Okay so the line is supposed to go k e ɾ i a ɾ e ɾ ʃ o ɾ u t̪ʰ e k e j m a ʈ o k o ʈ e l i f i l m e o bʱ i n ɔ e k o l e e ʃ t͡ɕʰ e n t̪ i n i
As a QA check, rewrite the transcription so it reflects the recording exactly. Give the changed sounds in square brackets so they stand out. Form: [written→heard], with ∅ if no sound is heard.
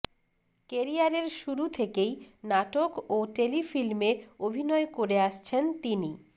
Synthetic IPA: k e ɾ i a ɾ e ɾ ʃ [o→u] ɾ u t̪ʰ e k e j [m→n] a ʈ o k o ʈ e l i f i l m e o bʱ i n ɔ e k o [l→ɾ] e [e→a] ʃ t͡ɕʰ e n t̪ i n i